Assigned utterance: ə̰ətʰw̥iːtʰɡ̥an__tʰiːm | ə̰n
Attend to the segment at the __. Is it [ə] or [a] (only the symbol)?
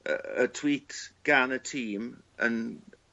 ə